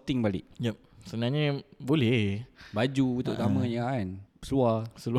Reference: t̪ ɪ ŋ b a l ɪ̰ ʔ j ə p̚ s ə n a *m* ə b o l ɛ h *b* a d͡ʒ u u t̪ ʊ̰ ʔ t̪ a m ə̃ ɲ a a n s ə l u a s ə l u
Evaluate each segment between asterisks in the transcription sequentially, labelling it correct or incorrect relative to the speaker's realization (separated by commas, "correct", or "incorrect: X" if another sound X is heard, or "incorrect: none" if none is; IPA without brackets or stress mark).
incorrect: ɲ, correct